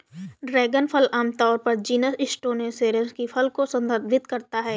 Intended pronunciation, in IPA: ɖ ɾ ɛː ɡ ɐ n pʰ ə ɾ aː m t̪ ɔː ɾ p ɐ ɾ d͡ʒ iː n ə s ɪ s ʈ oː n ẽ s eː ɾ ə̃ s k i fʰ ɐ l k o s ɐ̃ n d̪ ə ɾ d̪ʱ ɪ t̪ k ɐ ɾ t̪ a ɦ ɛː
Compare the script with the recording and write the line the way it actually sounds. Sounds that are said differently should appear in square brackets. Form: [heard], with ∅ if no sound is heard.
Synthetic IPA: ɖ ɾ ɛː ɡ [ə] n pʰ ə [l] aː m t̪ ɔː ɾ p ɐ ɾ d͡ʒ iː n ə s ɪ s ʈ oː n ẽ s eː ɾ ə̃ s k i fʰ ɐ l k o s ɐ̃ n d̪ ə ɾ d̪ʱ ɪ t̪ k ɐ ɾ t̪ a ɦ ɛː